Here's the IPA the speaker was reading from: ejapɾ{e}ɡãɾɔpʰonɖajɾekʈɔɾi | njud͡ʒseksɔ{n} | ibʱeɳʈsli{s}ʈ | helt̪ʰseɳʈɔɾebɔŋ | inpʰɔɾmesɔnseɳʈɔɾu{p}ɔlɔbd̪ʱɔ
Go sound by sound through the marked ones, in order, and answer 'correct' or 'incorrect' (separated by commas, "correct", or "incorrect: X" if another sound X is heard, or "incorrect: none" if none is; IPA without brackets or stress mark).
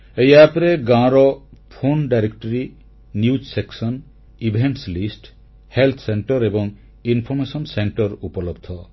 correct, correct, correct, correct